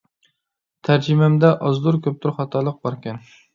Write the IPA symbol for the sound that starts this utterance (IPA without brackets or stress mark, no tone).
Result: t̪ʰ